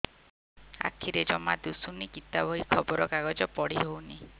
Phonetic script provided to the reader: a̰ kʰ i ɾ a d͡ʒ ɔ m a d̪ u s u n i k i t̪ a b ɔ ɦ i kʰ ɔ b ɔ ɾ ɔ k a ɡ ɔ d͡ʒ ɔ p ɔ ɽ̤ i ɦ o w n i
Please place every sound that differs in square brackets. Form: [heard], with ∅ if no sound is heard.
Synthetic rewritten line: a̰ kʰ i ɾ [e] d͡ʒ ɔ m a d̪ u s u n i k i t̪ a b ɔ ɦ i kʰ ɔ b ɔ ɾ ɔ k a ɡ ɔ d͡ʒ ɔ p ɔ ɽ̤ i ɦ o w n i